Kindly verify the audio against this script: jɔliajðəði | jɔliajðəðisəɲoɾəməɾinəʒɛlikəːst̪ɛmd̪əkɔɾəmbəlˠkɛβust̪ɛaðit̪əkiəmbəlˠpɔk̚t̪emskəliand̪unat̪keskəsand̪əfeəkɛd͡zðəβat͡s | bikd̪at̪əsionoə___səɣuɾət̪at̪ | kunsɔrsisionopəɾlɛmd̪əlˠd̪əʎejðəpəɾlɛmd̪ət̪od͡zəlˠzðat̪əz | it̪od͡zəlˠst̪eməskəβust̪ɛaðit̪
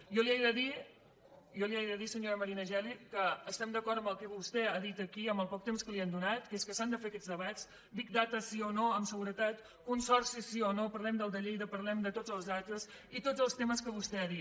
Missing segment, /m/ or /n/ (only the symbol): m